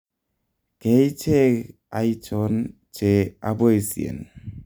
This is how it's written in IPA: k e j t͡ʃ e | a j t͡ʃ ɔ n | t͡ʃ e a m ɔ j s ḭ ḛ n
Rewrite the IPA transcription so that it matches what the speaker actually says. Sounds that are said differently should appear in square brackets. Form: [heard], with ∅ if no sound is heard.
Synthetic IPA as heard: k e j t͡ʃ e | a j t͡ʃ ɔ n | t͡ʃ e a [b] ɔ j s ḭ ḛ n